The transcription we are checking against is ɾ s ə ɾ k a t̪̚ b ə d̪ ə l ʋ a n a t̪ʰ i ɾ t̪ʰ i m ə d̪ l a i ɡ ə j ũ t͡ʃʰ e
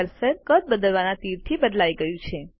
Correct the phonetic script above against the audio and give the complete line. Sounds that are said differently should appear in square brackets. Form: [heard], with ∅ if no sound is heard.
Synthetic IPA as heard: ɾ s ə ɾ k [ə] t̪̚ b ə d̪ ə l ʋ a n a [t̪] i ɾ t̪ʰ i [b] ə d̪ l a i ɡ ə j ũ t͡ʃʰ e